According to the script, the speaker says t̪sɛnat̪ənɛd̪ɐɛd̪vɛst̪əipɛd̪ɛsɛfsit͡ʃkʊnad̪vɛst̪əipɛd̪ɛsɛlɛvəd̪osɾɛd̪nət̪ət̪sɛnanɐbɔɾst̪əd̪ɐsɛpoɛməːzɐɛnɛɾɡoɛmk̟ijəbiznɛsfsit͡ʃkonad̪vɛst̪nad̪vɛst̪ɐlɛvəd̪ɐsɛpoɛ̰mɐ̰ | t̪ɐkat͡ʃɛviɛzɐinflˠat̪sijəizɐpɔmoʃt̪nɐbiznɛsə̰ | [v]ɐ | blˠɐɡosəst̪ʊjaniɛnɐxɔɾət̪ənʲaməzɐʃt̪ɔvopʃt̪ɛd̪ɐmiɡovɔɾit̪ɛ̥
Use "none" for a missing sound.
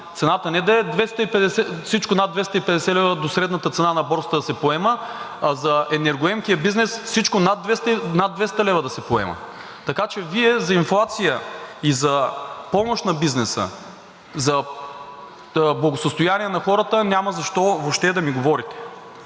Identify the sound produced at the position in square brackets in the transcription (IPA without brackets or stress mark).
z